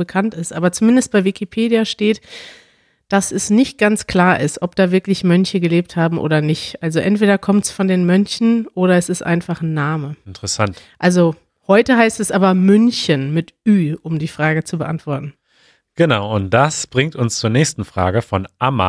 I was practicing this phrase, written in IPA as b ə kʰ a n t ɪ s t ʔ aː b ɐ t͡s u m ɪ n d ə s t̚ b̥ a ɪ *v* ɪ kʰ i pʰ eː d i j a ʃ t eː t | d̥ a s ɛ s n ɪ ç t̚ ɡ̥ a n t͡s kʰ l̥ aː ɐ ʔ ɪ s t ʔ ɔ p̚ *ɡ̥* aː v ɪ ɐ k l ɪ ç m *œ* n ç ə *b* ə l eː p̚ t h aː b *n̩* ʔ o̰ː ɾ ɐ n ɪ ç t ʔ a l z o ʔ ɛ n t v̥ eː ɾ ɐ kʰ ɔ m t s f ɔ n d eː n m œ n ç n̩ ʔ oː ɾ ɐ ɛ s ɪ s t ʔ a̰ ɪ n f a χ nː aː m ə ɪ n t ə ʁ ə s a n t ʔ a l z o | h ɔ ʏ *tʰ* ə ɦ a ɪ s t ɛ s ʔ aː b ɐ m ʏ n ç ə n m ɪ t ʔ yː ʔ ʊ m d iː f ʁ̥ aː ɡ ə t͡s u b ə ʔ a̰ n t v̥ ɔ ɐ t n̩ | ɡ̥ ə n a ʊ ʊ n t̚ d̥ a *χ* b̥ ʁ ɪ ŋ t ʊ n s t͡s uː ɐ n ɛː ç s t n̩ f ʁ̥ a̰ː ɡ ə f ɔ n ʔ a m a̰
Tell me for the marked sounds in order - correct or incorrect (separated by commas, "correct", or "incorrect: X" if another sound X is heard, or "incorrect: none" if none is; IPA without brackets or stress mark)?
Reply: correct, incorrect: d̥, correct, incorrect: ɡ, incorrect: m̩, incorrect: t, incorrect: s